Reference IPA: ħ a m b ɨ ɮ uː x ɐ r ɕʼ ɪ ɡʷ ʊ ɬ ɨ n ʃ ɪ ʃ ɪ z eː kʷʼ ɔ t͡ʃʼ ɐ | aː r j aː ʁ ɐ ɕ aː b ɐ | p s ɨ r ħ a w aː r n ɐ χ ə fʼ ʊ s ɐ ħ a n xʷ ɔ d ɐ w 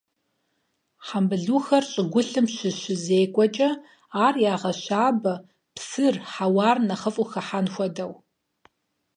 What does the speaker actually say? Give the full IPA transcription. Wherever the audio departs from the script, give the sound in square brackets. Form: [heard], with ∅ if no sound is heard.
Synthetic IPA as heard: ħ a m b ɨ ɮ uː x ɐ r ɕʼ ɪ ɡʷ ʊ ɬ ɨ [m] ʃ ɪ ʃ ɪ z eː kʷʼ ɔ t͡ʃʼ ɐ | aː r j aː ʁ ɐ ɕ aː b ɐ | p s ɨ r ħ a w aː r n ɐ χ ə fʼ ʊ [x] ɐ ħ a n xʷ ɔ d ɐ w